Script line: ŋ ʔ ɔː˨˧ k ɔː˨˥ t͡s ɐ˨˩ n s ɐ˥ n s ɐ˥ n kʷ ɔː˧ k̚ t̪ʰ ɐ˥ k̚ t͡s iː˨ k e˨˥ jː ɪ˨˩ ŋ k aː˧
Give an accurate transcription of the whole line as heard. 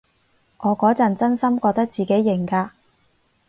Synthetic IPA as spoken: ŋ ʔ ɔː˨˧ k ɔː˨˥ t͡s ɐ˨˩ n t͡s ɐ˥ n s ɐ˥ m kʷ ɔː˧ k̚ t̪ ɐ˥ k̚ t͡s iː˨ k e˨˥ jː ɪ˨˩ ŋ k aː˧